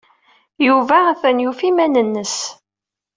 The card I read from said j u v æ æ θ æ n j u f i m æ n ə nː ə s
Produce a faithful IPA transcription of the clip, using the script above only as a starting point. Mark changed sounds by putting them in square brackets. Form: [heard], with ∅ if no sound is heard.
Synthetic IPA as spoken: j u v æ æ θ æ n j u f i m æ n ə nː ə s